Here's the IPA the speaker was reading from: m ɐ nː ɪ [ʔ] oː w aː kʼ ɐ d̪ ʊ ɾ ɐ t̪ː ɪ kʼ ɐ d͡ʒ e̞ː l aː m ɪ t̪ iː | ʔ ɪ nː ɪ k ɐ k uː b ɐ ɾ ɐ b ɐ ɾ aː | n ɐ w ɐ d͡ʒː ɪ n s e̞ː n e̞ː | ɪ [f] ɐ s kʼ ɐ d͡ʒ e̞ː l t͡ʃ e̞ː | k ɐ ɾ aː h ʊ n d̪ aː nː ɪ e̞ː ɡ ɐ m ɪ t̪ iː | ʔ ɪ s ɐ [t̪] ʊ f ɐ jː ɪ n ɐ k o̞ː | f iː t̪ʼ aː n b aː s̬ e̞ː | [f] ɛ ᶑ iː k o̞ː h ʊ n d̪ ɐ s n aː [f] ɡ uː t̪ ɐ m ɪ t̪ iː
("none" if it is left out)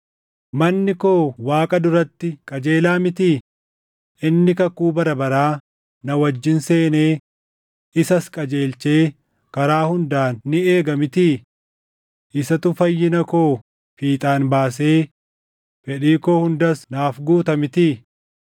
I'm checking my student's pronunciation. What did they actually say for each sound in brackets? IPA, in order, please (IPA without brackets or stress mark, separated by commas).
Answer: k, s, t̪, f, f